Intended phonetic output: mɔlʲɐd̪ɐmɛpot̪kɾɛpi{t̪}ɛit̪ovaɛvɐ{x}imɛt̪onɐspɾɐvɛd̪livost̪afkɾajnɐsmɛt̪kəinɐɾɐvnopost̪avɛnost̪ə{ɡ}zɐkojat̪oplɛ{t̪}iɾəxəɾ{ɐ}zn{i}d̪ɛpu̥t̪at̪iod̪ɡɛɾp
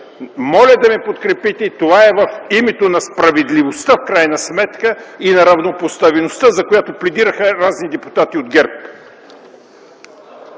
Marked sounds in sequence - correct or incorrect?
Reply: correct, incorrect, incorrect, incorrect, incorrect, correct

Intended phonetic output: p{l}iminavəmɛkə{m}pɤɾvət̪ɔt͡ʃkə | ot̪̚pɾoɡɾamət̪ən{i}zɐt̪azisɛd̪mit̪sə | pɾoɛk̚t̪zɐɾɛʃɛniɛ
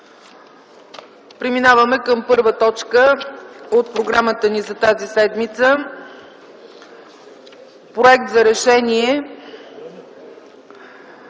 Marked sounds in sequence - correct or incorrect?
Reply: incorrect, correct, correct

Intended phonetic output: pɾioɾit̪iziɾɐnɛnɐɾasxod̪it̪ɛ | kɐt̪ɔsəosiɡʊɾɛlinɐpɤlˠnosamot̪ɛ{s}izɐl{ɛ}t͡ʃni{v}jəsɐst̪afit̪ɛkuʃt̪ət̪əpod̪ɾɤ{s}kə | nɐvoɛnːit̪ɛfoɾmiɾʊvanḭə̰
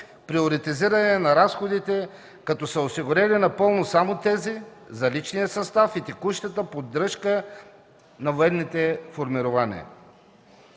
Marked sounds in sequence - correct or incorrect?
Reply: incorrect, incorrect, incorrect, incorrect

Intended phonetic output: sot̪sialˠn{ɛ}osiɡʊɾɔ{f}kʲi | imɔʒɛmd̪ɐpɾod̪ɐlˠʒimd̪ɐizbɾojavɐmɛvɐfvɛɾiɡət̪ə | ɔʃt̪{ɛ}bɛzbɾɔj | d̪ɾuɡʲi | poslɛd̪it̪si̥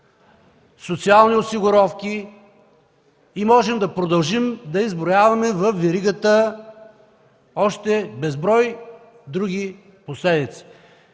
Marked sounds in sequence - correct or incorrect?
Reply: incorrect, correct, correct

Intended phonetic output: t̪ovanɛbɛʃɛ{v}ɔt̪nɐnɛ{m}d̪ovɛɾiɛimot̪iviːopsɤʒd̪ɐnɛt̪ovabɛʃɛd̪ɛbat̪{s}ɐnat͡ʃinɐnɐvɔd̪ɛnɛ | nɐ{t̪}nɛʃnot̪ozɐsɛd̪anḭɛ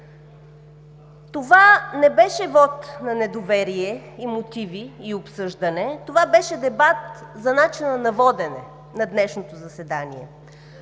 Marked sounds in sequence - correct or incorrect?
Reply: correct, incorrect, incorrect, incorrect

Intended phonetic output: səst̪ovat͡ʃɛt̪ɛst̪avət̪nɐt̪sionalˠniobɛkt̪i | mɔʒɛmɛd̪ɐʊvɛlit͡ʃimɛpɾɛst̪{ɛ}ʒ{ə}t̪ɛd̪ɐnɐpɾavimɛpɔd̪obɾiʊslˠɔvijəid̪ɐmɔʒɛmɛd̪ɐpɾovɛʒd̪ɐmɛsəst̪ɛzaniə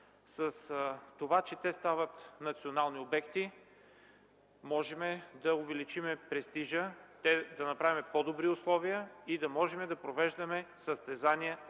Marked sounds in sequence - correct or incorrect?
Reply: incorrect, correct

